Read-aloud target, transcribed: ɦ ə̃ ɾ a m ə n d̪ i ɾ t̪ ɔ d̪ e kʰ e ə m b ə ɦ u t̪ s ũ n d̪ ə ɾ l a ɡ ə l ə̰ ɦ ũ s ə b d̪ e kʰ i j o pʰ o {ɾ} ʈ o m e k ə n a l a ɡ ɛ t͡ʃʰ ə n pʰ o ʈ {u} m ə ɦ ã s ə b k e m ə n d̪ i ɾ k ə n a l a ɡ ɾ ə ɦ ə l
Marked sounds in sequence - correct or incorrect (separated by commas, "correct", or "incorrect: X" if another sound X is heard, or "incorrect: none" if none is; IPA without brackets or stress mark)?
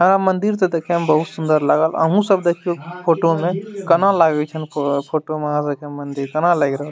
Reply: incorrect: none, incorrect: o